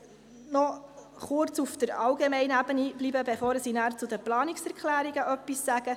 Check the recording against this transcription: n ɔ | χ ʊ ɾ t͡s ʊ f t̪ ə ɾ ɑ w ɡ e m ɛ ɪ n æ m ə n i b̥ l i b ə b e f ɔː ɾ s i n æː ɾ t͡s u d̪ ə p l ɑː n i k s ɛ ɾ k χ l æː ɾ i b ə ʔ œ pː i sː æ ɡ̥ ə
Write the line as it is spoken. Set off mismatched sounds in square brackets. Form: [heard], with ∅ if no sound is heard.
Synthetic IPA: n ɔ | χ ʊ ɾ t͡s [u] f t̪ ə ɾ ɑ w ɡ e m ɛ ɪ n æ [b] ə n i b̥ l i b ə b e f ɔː ɾ s i n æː ɾ t͡s u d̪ ə p l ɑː n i k s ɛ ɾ k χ l æː ɾ i [ɡ] ə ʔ œ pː i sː æ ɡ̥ ə